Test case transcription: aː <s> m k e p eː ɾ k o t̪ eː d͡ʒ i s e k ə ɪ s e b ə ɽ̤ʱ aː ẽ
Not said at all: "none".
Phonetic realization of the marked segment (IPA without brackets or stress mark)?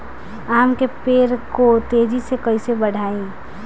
none